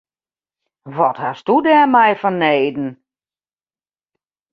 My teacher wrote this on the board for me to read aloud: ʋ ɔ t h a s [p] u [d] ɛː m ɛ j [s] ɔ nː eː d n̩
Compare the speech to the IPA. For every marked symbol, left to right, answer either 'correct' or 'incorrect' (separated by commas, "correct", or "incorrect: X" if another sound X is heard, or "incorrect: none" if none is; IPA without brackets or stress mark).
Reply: incorrect: t, correct, incorrect: f